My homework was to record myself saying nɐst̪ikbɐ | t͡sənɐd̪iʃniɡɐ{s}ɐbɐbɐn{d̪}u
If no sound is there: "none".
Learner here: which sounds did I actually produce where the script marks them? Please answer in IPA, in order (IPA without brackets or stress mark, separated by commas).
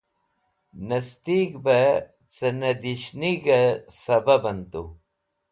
s, t̪